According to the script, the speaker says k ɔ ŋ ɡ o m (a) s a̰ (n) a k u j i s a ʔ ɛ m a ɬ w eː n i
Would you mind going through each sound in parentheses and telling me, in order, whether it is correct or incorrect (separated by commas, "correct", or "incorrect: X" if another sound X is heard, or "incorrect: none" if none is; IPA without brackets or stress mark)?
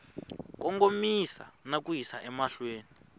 incorrect: i, correct